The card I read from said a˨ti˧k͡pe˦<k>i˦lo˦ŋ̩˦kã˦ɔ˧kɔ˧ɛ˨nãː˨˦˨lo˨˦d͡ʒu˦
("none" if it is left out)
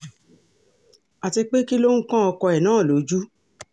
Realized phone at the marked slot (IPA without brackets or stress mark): k